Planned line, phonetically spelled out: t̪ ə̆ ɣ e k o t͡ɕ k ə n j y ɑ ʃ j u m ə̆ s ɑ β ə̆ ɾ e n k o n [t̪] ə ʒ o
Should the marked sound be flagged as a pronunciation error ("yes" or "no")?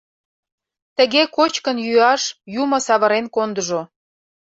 yes